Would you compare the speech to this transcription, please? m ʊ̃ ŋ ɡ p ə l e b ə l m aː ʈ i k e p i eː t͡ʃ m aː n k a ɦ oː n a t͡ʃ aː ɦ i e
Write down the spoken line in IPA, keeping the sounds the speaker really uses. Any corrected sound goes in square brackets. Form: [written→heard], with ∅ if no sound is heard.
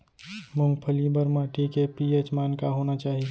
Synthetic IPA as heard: m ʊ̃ ŋ ɡ [p→pʰ] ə l [e→i] b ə [l→ɾ] m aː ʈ i k e p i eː t͡ʃ m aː n k a ɦ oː n a t͡ʃ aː ɦ i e